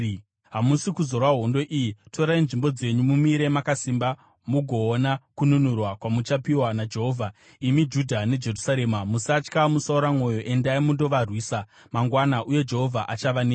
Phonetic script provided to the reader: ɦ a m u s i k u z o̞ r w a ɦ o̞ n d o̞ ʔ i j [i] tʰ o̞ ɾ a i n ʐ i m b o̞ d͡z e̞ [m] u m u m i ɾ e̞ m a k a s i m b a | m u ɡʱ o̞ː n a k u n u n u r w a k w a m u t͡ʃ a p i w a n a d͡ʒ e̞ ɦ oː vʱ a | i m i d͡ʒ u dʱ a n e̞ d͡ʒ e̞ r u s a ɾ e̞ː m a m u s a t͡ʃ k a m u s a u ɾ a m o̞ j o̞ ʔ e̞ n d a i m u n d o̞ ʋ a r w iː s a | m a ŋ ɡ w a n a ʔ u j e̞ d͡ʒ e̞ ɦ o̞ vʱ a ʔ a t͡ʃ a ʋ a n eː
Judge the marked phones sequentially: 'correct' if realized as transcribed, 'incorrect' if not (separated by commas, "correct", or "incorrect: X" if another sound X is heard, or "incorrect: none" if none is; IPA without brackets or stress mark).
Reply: correct, incorrect: ɲ